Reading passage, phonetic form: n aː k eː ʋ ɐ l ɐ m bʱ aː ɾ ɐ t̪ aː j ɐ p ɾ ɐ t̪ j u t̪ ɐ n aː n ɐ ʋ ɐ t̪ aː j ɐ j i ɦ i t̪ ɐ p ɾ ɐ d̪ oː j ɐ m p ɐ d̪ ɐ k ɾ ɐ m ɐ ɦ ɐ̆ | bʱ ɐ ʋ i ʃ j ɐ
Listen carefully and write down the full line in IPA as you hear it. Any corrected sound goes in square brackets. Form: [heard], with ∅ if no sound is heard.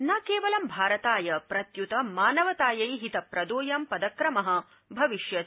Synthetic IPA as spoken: n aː k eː ʋ ɐ l ɐ m bʱ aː ɾ ɐ t̪ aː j ɐ p ɾ ɐ t̪ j u t̪ ɐ [m] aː n ɐ ʋ ɐ t̪ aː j ɐ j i ɦ i t̪ ɐ p ɾ ɐ d̪ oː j ɐ m p ɐ d̪ ɐ k ɾ ɐ m ɐ ɦ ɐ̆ | bʱ ɐ ʋ i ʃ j ɐ